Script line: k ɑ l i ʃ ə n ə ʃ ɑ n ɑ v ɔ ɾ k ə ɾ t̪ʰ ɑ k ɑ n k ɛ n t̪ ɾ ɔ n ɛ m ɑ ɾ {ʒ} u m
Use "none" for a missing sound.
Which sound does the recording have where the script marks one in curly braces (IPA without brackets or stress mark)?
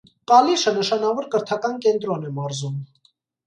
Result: z